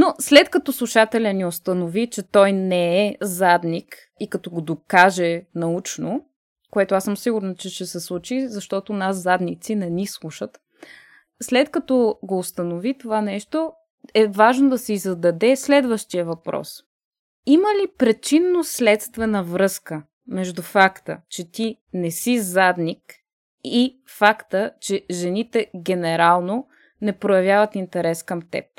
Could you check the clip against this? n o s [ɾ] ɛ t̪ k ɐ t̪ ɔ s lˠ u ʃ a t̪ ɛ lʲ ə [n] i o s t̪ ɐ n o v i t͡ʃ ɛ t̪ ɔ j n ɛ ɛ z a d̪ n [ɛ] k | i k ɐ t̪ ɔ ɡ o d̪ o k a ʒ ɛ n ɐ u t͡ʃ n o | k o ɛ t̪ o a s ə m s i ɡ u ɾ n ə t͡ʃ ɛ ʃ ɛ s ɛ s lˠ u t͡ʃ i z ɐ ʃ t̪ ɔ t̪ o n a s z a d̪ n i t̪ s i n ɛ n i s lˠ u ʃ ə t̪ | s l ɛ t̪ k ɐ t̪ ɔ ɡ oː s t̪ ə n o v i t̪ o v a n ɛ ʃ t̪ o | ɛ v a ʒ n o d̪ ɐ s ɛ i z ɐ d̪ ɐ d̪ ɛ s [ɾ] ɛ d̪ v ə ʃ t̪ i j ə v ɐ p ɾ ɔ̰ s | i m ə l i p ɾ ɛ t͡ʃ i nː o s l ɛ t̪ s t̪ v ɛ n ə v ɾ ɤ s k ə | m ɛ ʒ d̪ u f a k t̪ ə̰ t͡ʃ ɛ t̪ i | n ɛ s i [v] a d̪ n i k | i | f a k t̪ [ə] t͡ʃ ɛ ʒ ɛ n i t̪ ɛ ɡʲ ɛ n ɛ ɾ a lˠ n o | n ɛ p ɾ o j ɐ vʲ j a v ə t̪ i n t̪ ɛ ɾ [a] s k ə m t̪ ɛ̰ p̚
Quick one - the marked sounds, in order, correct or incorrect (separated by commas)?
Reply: incorrect, correct, incorrect, incorrect, incorrect, correct, incorrect